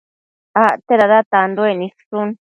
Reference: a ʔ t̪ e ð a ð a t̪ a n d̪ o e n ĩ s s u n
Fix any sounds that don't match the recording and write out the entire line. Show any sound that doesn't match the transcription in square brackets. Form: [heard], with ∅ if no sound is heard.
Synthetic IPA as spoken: a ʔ t̪ e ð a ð a t̪ a n d̪ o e n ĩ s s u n